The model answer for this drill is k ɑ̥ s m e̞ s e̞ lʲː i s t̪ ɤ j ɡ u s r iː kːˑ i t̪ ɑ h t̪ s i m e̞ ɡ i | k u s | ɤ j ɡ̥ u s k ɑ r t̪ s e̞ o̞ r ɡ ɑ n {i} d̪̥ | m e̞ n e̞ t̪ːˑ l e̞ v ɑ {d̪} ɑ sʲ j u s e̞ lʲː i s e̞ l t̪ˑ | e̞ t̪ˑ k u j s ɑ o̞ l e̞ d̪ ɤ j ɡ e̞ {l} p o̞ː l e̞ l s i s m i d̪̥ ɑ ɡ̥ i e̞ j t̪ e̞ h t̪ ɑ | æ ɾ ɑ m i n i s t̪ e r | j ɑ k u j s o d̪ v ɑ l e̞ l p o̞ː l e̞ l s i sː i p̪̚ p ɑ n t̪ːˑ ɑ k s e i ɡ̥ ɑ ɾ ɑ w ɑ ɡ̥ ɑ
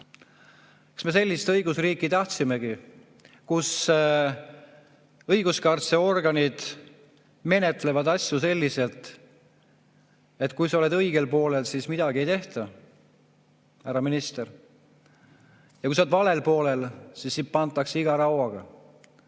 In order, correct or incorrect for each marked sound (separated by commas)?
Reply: correct, correct, correct